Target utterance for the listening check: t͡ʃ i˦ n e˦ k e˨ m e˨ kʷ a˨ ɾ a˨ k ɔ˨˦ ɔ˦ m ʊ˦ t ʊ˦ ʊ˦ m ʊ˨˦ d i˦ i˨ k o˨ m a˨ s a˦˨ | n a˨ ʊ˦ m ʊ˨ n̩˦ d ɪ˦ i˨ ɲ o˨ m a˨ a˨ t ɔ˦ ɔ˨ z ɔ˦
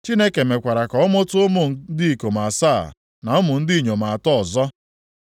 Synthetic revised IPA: t͡ʃ i˦ n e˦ k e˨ m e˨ kʷ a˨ ɾ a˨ k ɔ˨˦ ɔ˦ m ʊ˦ t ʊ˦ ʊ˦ m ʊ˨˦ d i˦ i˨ k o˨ m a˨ s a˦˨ | n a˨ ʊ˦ m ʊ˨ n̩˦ d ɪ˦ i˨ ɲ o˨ m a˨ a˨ t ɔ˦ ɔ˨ z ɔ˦